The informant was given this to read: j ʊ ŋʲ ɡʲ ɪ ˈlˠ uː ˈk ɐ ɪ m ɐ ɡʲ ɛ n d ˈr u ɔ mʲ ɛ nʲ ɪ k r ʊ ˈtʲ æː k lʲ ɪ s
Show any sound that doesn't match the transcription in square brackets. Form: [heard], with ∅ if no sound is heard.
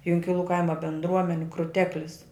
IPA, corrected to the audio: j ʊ ŋʲ [kʲ] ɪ ˈlˠ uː ˈk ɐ ɪ m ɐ [bʲ] ɛ n d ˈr u ɔ mʲ ɛ nʲ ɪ k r ʊ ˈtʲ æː k lʲ ɪ s

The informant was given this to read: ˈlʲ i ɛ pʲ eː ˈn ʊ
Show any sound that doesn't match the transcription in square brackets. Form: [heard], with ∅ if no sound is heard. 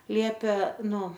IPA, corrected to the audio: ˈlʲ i ɛ pʲ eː ˈn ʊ

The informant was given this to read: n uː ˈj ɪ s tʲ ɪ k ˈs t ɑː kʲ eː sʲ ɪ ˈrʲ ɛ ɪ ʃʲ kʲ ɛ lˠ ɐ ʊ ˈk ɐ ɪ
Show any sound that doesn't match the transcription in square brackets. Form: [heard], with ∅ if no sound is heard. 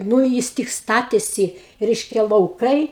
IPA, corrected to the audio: n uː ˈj ɪ s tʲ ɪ k ˈs t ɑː [tʲ] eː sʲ ɪ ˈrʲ ɛ ɪ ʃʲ kʲ ɛ lˠ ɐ ʊ ˈk ɐ ɪ

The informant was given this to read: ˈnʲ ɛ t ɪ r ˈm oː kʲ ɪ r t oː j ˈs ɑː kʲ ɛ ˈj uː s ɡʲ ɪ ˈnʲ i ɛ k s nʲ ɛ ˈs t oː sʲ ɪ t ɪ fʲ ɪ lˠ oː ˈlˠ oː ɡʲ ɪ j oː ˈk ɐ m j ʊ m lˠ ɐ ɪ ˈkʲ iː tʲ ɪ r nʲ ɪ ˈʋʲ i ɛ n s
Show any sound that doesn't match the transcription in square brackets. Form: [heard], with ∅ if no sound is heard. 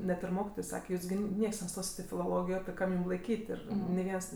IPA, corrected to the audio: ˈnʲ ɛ t ɪ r ˈm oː kʲ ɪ [∅] t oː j ˈs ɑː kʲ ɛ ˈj uː s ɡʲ ɪ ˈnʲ i ɛ k s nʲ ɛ ˈs t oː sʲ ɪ t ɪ fʲ ɪ lˠ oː ˈlˠ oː ɡʲ ɪ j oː ˈk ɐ m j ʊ m lˠ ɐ ɪ ˈkʲ iː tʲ ɪ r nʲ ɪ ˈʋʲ i ɛ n s

